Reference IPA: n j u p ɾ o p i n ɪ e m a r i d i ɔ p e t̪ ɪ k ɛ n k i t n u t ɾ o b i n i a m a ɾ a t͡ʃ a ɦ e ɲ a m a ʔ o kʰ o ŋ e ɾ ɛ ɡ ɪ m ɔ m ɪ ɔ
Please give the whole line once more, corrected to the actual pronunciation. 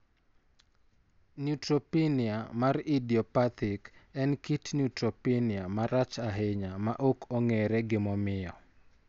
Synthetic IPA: n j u t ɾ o p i n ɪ a m a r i d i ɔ p a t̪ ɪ k ɛ n k i t n u t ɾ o p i n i a m a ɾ a t͡ʃ a ɦ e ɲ a m a ʔ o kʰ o ŋ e ɾ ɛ ɡ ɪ m ɔ m ɪ ɔ